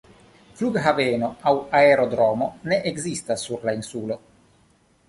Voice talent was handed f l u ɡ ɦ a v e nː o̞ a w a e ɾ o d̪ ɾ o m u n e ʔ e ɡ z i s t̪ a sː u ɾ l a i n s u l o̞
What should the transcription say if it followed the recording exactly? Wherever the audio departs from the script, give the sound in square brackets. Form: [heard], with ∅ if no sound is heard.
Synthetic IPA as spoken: f l u ɡ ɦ a v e [n] o̞ a w a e ɾ o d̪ ɾ o m [o] n e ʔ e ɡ z i s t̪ a sː u ɾ l a i n s u l o̞